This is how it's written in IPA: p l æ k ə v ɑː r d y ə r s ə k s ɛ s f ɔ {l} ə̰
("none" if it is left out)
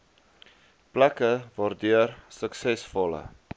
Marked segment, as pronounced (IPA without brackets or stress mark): l